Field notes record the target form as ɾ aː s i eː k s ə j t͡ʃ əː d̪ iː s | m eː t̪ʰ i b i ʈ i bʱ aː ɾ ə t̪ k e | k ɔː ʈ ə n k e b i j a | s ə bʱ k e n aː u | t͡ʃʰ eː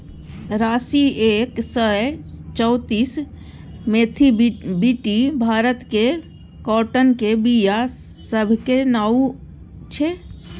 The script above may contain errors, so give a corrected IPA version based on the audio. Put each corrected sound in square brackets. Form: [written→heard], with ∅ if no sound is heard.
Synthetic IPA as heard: ɾ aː s i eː k s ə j t͡ʃ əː [d̪→t̪] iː s | m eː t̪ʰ i b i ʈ i bʱ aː ɾ ə t̪ k e | k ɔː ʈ ə n k e b i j a | s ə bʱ k e n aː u | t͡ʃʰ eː